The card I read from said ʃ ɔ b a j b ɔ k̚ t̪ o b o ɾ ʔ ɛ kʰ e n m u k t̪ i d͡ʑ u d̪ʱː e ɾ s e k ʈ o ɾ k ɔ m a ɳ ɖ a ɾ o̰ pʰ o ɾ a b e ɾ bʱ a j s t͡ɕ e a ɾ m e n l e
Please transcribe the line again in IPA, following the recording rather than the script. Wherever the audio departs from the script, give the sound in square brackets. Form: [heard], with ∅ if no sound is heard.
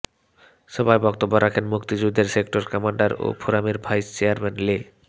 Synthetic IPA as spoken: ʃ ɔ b a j b ɔ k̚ t̪ o [bː] o ɾ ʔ [a] kʰ e n m u k t̪ i d͡ʑ u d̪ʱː e ɾ s e k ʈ o ɾ k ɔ m a ɳ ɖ a ɾ o̰ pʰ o ɾ a [m] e ɾ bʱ a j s t͡ɕ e a ɾ m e n l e

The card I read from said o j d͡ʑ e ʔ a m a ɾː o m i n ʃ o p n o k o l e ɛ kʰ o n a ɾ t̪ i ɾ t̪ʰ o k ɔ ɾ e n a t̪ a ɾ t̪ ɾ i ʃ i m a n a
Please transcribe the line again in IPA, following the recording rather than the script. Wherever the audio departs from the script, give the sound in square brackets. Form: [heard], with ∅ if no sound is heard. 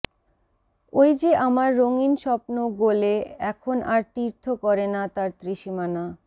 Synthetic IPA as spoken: o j d͡ʑ e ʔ a m a ɾː o [ŋ] i n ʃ [ɔ] p n o [ɡ] o l e ɛ kʰ o n a ɾ t̪ i ɾ t̪ʰ o k ɔ ɾ e n a t̪ a ɾ t̪ ɾ i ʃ i m a n a

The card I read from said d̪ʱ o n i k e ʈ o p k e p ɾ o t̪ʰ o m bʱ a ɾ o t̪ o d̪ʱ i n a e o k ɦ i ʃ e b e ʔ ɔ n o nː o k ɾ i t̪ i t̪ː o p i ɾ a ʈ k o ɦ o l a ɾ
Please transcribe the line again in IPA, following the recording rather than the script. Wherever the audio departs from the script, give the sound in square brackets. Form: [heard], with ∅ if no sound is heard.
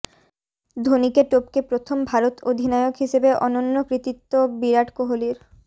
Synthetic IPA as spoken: d̪ʱ o n i k e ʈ o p k e p ɾ o t̪ʰ o m bʱ a ɾ o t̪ o d̪ʱ i n a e o k ɦ i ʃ e b e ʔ ɔ n o nː o k ɾ i t̪ i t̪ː o [b] i ɾ a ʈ k o ɦ o l [i] ɾ

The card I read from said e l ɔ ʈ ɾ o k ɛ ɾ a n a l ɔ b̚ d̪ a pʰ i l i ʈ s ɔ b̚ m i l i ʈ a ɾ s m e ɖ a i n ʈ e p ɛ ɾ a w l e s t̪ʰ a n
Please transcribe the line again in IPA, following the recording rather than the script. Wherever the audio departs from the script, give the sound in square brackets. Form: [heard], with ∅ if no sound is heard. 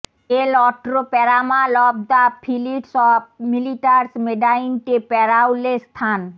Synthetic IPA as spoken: e l ɔ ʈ ɾ o [p] ɛ ɾ a [m] a l ɔ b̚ d̪ a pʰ i l i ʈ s ɔ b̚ m i l i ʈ a ɾ s m e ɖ a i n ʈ e p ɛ ɾ a w l e s t̪ʰ a n

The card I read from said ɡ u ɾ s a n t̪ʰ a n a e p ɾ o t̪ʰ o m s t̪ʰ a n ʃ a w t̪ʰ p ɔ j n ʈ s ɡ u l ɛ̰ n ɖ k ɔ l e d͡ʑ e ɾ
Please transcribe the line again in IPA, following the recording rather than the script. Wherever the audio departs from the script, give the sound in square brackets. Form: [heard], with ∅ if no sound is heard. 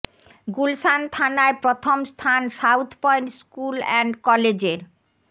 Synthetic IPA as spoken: ɡ u [l] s a n t̪ʰ a n a e p ɾ o t̪ʰ o m s t̪ʰ a n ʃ a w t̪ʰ p ɔ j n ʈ s [k] u l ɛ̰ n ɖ k ɔ l e d͡ʑ e ɾ

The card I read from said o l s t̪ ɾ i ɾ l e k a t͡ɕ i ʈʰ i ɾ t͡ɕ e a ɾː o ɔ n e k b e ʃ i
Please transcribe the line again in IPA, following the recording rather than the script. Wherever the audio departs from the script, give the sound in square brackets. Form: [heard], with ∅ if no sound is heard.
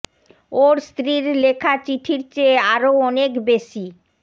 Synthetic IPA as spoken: o [ɾ] s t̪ ɾ i ɾ l e [kʰ] a t͡ɕ i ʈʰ i ɾ t͡ɕ e a [ɾ] o ɔ n e k b e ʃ i

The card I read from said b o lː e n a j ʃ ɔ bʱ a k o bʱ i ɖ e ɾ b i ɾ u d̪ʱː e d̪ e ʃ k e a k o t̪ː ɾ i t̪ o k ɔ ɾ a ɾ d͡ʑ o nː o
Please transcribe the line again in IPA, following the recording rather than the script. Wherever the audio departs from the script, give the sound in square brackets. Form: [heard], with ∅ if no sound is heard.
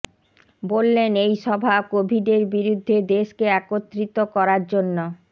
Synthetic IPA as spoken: b o lː e n [e] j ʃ ɔ bʱ a k o bʱ i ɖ e ɾ b i ɾ u d̪ʱː e d̪ e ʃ k e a k o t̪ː ɾ i t̪ o k ɔ ɾ a ɾ d͡ʑ o nː o

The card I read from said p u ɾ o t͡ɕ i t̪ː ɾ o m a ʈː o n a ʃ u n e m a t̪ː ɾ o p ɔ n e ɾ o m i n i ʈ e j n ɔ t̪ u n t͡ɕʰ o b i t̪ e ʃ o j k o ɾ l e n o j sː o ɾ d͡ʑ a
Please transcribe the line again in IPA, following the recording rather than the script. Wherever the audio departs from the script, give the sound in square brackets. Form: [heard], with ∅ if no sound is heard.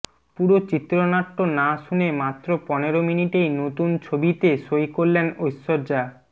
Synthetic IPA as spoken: p u ɾ o t͡ɕ i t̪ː ɾ o [n] a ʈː o n a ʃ u n e m a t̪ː ɾ o p ɔ n e ɾ o m i n i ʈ e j n [o] t̪ u n t͡ɕʰ o b i t̪ e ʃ o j k o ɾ l e n o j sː o ɾ d͡ʑ a

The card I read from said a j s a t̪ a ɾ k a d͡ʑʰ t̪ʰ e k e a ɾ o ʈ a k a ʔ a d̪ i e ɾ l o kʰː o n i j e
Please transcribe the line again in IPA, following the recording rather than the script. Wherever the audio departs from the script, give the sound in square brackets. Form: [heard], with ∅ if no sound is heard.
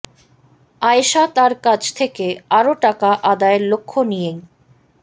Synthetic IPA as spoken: a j [ʃ] a t̪ a ɾ k a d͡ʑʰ t̪ʰ e k e a ɾ o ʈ a k a ʔ a d̪ [a] e ɾ l o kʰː o n i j e

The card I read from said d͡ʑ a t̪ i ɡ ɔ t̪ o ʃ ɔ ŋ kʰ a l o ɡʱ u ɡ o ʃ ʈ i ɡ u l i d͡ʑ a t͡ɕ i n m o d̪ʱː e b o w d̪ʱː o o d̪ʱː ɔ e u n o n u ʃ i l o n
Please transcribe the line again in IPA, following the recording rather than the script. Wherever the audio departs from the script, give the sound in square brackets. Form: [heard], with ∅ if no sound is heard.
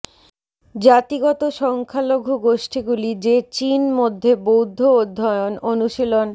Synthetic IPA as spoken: d͡ʑ a t̪ i ɡ ɔ t̪ o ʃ ɔ ŋ kʰ a l o ɡʱ u ɡ o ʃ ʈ i ɡ u l i d͡ʑ [e] t͡ɕ i n m o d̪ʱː e b o w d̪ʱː o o d̪ʱː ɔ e [o] n o n u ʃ i l o n

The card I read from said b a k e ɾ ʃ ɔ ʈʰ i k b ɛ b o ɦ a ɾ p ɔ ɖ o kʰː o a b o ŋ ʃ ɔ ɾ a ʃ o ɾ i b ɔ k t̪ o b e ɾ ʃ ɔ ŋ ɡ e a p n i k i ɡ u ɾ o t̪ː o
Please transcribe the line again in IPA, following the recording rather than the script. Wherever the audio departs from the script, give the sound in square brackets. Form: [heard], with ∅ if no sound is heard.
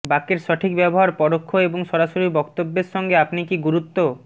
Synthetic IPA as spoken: b a k e ɾ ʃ ɔ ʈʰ i k b ɛ b o ɦ a ɾ p ɔ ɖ o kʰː o [e] b o ŋ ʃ ɔ ɾ a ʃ o ɾ i b ɔ k t̪ o [bː] e ɾ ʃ ɔ ŋ ɡ e a p n i k i ɡ u ɾ [u] t̪ː o

